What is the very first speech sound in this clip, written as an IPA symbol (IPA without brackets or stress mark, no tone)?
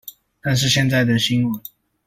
t̪